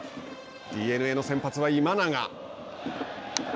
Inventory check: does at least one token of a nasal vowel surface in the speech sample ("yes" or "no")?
yes